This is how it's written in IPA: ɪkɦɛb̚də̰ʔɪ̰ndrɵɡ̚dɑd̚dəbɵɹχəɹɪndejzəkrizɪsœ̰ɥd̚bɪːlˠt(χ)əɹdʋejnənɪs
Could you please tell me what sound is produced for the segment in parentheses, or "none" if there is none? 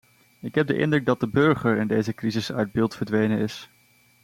f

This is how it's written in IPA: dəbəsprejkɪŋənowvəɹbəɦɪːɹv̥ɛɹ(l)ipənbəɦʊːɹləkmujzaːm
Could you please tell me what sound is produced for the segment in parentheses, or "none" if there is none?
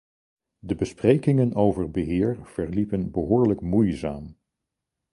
l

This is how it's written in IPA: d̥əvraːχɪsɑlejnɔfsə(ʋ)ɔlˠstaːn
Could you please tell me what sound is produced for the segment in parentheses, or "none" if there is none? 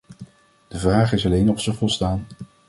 v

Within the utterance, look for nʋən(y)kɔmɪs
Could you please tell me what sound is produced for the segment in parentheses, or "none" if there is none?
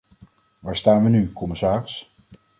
y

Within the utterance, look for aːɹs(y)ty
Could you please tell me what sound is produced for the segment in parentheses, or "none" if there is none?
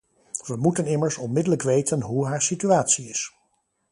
i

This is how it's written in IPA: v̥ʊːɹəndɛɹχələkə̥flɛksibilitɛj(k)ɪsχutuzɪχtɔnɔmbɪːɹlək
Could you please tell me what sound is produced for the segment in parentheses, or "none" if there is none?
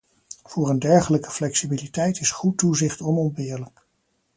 t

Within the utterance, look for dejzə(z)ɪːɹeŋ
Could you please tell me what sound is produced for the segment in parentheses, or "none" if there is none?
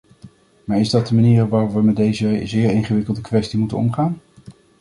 z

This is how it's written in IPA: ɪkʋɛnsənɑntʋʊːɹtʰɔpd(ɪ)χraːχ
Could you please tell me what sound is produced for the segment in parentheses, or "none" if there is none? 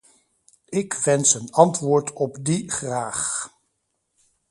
i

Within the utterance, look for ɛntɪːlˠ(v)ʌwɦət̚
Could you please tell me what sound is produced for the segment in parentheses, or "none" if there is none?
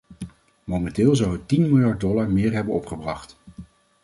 z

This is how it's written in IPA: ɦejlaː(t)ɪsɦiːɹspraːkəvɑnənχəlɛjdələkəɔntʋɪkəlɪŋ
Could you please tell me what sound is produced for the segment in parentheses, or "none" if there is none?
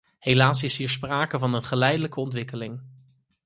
s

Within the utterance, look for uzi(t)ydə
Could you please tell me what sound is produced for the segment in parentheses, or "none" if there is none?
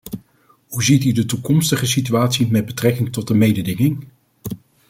t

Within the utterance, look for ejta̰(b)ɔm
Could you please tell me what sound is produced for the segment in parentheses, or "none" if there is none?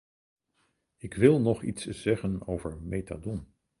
d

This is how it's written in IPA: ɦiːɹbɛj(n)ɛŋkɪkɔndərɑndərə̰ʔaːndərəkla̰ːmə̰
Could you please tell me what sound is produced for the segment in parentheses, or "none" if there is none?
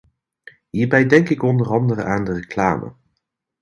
d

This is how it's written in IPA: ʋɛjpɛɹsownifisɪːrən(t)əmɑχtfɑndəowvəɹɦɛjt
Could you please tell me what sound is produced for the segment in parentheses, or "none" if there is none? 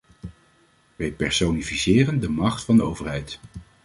d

